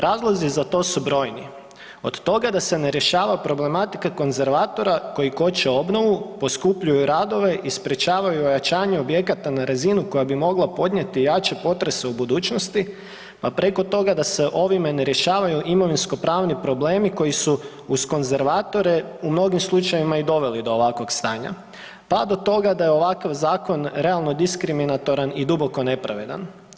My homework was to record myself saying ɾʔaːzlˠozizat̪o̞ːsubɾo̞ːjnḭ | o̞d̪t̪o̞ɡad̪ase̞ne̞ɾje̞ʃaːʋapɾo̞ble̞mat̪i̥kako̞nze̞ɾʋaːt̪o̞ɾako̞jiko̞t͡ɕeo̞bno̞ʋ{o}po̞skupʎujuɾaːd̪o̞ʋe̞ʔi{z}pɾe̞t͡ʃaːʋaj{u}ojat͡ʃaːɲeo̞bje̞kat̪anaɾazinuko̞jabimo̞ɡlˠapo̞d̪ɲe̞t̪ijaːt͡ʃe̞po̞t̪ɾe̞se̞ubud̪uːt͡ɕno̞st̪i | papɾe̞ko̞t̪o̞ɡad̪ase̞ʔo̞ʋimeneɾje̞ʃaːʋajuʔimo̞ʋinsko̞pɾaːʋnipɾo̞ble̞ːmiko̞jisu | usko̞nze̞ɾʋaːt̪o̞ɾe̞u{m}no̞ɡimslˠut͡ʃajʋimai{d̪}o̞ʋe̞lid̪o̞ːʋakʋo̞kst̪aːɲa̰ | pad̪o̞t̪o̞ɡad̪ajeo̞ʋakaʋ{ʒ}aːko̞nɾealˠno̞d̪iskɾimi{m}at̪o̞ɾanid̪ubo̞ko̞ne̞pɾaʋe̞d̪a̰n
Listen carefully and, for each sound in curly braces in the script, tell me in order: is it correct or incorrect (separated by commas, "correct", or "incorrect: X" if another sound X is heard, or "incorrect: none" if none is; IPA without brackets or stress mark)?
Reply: incorrect: u, incorrect: s, correct, correct, correct, incorrect: z, incorrect: n